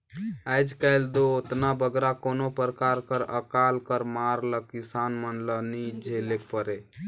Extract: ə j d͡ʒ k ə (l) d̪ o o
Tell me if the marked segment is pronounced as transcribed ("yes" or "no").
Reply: yes